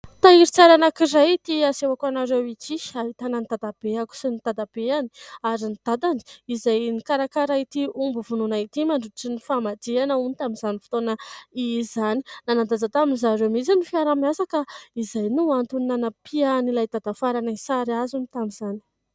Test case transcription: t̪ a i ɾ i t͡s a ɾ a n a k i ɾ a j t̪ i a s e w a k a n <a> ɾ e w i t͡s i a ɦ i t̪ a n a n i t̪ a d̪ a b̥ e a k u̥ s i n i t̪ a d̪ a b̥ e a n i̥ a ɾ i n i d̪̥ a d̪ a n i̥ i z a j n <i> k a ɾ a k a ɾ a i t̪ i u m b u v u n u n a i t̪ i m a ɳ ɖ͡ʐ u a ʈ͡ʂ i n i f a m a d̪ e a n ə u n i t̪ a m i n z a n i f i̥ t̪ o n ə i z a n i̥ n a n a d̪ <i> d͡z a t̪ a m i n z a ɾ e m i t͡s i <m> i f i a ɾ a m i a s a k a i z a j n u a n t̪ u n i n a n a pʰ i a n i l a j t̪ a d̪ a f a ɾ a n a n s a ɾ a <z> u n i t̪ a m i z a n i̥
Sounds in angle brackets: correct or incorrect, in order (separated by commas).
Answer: correct, correct, incorrect, incorrect, correct